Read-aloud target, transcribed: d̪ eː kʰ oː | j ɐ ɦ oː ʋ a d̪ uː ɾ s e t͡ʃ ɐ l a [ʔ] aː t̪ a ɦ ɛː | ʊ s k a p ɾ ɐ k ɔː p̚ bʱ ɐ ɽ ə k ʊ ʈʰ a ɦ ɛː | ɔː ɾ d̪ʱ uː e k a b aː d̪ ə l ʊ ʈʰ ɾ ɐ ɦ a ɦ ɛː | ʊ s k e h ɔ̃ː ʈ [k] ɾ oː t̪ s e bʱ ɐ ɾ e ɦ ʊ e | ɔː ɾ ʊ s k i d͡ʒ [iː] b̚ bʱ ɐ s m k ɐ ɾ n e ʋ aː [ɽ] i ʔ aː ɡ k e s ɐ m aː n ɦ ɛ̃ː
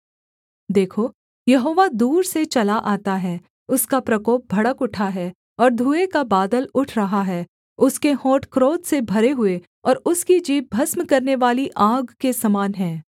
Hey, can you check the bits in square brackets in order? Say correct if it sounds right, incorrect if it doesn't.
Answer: correct, correct, correct, incorrect: l

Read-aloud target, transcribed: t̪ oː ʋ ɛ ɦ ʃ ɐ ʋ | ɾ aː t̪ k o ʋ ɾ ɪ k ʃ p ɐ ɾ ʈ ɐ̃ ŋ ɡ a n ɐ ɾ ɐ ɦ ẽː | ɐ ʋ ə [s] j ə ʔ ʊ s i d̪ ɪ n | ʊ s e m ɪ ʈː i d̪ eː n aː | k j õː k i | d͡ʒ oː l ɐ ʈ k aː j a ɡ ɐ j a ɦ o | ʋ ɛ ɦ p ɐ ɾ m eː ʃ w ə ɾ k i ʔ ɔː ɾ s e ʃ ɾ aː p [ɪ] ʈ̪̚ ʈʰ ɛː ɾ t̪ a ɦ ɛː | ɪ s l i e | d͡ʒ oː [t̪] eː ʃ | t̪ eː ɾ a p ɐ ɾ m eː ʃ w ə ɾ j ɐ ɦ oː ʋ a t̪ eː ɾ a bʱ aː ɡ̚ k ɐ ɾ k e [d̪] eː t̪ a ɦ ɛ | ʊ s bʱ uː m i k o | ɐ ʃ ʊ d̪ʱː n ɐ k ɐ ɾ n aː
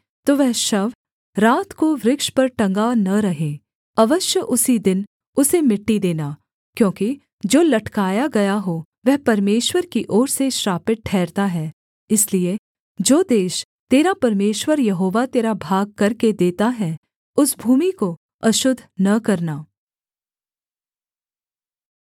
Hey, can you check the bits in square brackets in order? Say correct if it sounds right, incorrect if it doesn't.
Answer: incorrect: ʃ, correct, incorrect: d̪, correct

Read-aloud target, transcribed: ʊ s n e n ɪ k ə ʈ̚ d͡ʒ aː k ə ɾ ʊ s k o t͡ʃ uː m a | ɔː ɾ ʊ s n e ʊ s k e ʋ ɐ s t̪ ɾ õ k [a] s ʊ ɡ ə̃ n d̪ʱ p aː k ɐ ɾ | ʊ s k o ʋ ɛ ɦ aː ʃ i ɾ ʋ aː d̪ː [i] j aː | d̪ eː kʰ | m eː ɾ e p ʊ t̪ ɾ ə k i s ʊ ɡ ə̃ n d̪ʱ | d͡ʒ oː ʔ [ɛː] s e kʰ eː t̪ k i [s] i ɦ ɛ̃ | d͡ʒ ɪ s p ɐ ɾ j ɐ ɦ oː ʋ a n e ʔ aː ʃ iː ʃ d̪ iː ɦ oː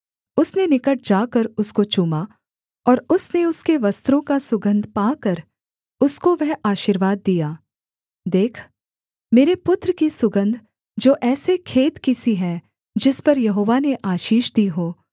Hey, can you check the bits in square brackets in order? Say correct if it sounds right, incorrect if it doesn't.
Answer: correct, correct, correct, correct

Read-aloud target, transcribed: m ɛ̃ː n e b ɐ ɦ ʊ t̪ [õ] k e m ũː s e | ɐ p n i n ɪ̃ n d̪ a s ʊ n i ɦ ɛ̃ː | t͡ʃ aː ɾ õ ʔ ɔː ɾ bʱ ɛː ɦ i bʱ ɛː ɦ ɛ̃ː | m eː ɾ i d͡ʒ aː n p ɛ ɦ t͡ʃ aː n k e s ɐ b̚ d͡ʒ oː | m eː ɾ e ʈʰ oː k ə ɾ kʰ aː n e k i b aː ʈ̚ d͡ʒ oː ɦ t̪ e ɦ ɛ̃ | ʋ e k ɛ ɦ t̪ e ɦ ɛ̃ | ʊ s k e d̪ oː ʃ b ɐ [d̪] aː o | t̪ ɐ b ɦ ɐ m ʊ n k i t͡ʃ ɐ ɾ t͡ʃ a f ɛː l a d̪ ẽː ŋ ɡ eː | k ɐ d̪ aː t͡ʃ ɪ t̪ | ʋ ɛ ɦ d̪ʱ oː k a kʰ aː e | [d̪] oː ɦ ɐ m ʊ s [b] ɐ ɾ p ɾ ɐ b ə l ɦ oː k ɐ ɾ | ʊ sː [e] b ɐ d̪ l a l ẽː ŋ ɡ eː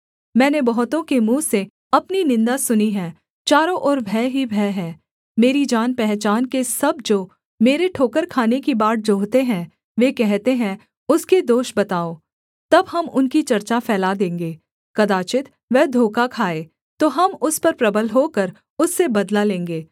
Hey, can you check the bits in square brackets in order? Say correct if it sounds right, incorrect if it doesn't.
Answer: correct, incorrect: t̪, incorrect: t̪, incorrect: p, correct

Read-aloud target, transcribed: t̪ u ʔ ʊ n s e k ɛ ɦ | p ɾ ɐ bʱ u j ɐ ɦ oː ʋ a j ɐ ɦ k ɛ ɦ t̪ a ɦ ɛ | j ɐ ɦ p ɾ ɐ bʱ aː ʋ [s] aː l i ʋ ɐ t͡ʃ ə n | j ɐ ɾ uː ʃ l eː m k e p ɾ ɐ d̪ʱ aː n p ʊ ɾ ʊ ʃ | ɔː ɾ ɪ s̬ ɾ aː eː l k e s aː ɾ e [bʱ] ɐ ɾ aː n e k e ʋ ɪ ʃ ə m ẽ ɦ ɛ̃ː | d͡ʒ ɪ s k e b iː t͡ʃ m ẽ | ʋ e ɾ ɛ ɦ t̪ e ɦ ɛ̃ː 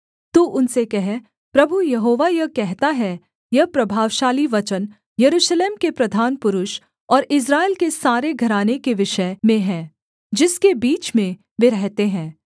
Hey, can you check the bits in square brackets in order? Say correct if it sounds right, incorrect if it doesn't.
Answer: incorrect: ʃ, incorrect: ɡʱ

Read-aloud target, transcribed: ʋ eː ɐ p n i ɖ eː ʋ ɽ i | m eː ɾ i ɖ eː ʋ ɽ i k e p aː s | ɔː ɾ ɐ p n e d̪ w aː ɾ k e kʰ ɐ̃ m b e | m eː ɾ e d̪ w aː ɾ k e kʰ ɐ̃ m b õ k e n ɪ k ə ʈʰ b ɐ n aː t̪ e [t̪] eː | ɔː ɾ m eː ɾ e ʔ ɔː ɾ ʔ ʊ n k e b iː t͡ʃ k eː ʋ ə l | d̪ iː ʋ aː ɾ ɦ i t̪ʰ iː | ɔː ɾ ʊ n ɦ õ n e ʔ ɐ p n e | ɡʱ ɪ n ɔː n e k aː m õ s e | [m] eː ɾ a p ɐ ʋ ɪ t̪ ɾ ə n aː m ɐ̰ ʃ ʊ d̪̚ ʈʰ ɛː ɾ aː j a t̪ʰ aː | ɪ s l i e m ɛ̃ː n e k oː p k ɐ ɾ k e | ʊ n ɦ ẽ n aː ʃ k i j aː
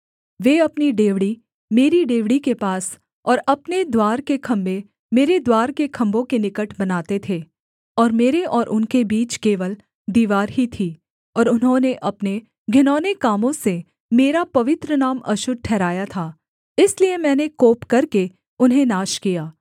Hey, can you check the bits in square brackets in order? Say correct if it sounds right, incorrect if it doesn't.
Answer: incorrect: t̪ʰ, correct

